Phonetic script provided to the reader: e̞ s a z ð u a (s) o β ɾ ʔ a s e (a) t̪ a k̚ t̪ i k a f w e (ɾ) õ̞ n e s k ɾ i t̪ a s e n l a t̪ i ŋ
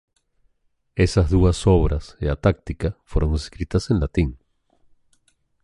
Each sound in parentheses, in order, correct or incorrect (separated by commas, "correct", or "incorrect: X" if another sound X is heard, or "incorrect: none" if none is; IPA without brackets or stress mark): correct, correct, correct